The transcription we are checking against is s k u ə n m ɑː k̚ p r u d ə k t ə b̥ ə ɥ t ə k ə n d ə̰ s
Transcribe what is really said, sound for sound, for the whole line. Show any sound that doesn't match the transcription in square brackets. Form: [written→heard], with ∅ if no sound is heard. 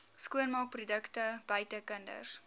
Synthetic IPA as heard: s k u ə n m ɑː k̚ p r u d ə k t ə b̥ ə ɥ t ə k ə n d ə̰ s

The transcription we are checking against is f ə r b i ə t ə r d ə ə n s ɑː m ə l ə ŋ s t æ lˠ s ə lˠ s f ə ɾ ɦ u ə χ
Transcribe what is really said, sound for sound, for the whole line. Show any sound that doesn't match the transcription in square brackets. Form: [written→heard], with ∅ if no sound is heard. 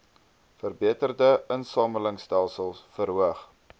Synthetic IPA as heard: f ə r b i ə t ə r d ə ə n s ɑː m ə l ə ŋ s t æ lˠ s ə lˠ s f ə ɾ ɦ u ə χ

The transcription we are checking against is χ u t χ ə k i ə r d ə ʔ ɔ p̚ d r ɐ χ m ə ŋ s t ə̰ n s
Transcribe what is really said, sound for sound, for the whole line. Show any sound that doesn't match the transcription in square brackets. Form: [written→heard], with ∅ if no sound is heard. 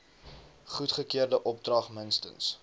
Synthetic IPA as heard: χ u t χ ə k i ə r d ə ʔ ɔ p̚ d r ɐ χ m ə [ŋ→n] s t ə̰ n s

